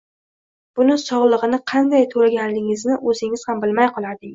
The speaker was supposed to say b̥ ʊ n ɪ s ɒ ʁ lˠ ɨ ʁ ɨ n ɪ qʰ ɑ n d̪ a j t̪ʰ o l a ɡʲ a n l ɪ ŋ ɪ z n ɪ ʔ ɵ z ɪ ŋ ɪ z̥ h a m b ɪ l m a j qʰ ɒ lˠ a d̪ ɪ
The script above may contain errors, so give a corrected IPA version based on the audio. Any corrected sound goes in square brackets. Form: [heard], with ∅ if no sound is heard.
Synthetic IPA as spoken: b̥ ʊ n ɪ s ɒ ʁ lˠ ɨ ʁ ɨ n ɪ qʰ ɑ n d̪ a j t̪ʰ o l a ɡʲ a n l ɪ ŋ ɪ z n ɪ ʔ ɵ z ɪ ŋ ɪ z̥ h a m b ɪ l m a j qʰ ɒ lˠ a d̪ ɪ